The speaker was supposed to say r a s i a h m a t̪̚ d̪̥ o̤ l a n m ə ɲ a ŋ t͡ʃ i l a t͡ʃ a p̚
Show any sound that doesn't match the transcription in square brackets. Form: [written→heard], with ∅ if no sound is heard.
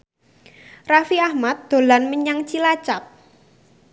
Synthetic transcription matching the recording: r a [s→f] i a h m a t̪̚ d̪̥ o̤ l a n m ə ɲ a ŋ t͡ʃ i l a t͡ʃ a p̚